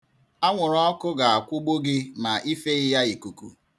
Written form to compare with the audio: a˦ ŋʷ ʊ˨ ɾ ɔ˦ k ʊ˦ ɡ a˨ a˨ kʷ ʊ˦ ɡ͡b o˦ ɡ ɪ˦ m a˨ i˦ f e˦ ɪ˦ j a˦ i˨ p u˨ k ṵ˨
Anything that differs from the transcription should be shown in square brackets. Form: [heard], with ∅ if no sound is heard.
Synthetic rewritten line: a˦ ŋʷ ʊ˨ ɾ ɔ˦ k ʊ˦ ɡ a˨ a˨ kʷ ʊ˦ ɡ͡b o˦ ɡ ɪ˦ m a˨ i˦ f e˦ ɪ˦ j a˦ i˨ [k] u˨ k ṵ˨